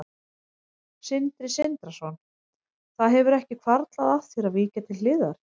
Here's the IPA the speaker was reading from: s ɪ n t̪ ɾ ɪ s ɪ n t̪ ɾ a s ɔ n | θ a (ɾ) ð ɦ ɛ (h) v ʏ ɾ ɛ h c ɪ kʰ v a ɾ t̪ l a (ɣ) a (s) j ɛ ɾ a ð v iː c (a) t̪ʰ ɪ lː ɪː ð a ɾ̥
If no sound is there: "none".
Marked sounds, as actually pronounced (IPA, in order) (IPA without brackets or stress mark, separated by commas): none, none, ð, θ, a